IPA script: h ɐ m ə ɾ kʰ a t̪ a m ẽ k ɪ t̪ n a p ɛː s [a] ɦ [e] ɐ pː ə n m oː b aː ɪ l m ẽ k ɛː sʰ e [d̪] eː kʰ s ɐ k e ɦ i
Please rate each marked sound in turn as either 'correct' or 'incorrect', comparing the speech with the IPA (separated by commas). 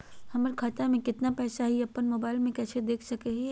correct, incorrect, correct